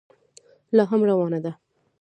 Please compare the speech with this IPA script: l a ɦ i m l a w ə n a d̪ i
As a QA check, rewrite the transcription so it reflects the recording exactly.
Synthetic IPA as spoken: l ɑ ɦ a m ɾ a w ɑ n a d̪ a